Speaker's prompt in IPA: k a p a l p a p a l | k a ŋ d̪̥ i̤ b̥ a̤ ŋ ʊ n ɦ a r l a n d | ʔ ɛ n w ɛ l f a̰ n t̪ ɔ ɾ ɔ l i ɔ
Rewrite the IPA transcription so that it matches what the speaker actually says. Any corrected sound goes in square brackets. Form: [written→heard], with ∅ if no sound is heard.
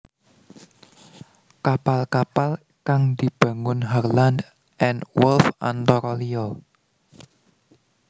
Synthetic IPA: k a p a l [p→k] a p a l | k a ŋ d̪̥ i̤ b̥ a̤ ŋ ʊ n ɦ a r l a n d | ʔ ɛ n w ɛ l f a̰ n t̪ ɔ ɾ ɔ l i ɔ